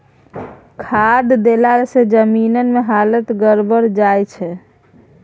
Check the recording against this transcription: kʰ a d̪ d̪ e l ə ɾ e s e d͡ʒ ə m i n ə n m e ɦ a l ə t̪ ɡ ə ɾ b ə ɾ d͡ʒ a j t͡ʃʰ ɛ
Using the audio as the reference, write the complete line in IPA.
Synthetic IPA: kʰ a d̪ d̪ e l a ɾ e s e d͡ʒ ə m i n ə n m e ɦ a l ə t̪ ɡ ə ɾ b ə ɾ d͡ʒ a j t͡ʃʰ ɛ